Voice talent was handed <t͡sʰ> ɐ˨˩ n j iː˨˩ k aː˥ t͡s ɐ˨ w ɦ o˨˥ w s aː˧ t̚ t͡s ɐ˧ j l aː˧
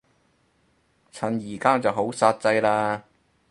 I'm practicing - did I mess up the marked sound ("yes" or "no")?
no